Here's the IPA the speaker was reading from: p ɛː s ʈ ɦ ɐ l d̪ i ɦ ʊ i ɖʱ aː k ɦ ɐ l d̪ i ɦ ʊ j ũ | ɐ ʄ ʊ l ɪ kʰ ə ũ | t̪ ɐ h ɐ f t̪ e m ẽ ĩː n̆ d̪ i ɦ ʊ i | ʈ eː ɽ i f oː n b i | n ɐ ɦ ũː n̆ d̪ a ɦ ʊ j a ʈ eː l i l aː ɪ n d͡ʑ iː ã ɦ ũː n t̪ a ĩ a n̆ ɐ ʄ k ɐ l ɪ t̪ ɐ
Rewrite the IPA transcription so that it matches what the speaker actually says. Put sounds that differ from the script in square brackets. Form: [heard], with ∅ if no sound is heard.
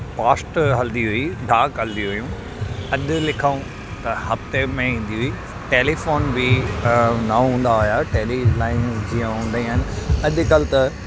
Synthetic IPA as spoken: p [aː] s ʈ ɦ ɐ l d̪ i ɦ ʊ i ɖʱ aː k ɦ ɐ l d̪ i ɦ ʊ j ũ | ɐ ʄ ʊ l ɪ kʰ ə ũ | t̪ ɐ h ɐ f t̪ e m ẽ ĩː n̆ d̪ i ɦ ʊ i | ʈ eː [l] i f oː n b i | n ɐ ɦ ũː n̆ d̪ a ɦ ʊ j a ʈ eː l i l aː ɪ n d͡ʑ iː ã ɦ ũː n [d̪] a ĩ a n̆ ɐ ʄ k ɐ l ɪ t̪ ɐ

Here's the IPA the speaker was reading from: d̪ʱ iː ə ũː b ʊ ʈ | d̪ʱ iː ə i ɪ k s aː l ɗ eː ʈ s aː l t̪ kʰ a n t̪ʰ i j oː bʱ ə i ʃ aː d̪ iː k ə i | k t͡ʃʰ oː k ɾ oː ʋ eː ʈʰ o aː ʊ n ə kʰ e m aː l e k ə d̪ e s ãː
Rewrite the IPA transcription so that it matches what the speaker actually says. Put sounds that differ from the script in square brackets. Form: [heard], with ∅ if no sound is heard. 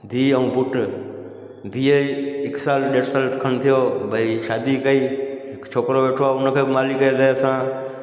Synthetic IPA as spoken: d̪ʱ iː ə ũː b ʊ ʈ | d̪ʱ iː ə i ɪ k s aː l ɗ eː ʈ s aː l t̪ kʰ [ə] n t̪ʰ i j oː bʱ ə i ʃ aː d̪ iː k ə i | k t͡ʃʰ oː k ɾ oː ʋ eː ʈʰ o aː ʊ n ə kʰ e m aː l [i] k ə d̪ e s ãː

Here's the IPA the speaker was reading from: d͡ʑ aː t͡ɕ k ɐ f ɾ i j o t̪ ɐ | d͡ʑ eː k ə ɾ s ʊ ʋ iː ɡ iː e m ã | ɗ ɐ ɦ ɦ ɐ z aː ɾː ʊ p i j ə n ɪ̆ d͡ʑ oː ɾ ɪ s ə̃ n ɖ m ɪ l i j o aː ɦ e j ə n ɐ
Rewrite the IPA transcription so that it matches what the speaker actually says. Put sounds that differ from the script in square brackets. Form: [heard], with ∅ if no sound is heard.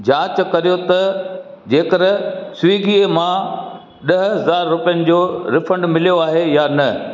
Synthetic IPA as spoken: d͡ʑ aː t͡ɕ k ɐ [∅] ɾ i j o t̪ ɐ | d͡ʑ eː k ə ɾ s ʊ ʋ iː ɡ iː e m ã | ɗ ɐ ɦ ɦ ɐ z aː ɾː ʊ p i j ə n ɪ̆ d͡ʑ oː ɾ ɪ [f] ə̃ [ɳ] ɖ m ɪ l i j o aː ɦ e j [a] n ɐ

